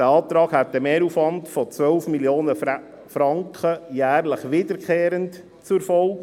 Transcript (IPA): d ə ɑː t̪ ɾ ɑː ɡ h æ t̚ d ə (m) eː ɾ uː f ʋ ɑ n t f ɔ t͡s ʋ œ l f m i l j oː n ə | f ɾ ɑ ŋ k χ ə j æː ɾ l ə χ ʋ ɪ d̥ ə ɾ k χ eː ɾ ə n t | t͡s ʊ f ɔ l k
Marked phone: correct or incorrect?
correct